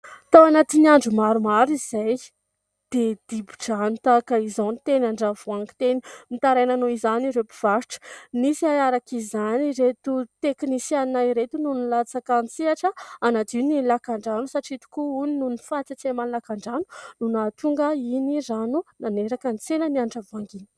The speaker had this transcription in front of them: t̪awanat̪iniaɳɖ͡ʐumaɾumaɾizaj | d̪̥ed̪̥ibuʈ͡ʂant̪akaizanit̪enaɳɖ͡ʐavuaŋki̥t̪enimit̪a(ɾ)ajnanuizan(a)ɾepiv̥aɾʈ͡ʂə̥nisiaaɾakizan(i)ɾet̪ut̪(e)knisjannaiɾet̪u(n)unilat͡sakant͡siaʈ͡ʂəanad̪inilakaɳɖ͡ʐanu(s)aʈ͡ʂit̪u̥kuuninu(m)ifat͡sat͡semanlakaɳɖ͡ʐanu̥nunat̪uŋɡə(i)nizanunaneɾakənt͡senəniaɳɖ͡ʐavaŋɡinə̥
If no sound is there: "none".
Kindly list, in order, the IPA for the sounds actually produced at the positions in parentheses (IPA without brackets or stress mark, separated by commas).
ɾ, i, i, e, n, s, n, i